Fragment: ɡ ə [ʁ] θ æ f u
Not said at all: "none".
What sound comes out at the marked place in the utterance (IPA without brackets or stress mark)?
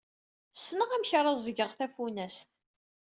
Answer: ʁ